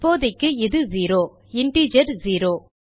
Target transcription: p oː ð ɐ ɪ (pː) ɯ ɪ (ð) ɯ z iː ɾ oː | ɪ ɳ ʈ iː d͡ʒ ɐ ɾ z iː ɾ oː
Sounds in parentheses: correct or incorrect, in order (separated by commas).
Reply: incorrect, correct